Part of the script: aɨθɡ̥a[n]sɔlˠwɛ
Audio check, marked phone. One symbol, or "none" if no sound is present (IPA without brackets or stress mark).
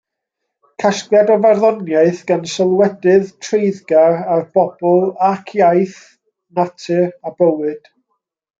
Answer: n